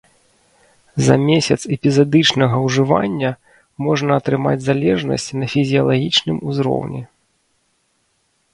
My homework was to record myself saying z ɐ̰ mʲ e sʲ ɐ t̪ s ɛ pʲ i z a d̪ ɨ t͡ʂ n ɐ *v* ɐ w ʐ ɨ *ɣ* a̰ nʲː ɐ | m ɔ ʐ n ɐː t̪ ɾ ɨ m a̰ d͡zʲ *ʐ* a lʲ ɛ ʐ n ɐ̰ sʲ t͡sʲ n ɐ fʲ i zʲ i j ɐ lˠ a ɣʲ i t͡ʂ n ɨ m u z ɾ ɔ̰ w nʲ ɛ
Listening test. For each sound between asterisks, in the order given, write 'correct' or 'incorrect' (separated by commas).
incorrect, incorrect, incorrect